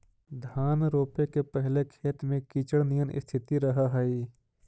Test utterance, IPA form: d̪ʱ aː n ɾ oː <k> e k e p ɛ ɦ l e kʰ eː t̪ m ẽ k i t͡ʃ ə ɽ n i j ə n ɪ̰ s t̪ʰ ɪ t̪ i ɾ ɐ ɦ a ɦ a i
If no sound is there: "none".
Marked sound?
p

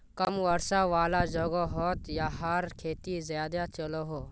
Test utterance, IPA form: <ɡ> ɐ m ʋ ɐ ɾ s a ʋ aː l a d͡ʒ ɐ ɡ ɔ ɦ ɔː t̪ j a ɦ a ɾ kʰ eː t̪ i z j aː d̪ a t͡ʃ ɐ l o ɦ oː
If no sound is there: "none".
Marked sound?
k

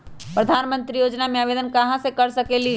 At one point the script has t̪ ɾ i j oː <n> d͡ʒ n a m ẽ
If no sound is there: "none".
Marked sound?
none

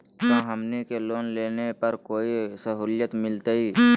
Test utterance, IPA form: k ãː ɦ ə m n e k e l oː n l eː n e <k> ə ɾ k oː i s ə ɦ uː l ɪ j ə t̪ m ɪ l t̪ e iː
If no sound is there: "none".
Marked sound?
p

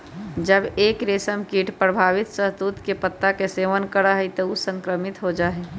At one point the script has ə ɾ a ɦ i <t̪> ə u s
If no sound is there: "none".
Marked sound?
t̪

